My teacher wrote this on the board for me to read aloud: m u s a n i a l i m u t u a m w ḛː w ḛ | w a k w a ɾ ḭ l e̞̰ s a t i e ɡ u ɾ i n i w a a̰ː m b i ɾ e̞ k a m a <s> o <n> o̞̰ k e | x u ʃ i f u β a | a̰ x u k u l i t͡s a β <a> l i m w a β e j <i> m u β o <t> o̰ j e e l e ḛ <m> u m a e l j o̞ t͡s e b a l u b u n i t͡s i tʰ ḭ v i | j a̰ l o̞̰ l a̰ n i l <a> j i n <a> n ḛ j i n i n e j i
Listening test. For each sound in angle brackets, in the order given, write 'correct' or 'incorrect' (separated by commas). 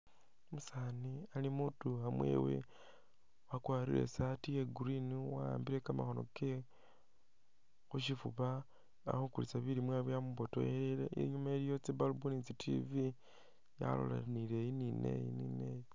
incorrect, correct, incorrect, incorrect, correct, incorrect, incorrect, incorrect